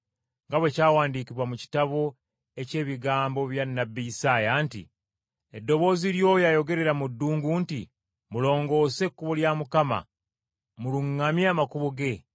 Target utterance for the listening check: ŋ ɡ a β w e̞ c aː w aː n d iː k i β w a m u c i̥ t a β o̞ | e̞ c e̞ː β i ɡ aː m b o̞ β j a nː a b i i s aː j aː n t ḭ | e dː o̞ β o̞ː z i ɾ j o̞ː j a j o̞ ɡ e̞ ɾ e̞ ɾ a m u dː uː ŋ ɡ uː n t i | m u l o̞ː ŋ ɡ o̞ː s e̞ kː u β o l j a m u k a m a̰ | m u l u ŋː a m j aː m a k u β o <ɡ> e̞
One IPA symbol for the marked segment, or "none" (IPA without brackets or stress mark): ɡ